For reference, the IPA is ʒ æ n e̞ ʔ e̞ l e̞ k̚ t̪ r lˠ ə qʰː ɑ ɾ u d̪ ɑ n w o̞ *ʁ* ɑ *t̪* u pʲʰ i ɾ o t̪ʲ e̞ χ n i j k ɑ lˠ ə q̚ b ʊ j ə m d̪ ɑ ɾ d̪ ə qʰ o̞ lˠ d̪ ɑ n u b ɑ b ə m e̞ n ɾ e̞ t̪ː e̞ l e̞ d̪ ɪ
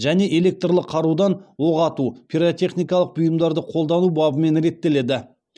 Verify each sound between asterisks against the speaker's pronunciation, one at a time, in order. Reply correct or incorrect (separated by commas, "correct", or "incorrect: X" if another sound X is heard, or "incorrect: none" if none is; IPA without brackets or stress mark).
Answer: correct, correct